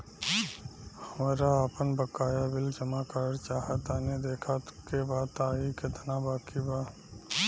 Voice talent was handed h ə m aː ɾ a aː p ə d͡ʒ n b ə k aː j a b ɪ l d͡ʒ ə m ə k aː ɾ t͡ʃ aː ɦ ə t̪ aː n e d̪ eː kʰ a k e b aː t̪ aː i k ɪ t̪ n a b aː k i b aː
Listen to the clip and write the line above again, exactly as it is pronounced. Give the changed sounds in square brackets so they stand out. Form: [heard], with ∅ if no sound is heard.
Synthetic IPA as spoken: h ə m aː ɾ a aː p ə [∅] n b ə k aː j a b ɪ l d͡ʒ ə m [a] k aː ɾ t͡ʃ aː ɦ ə t̪ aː n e d̪ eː kʰ a k e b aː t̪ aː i k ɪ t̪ n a b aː k i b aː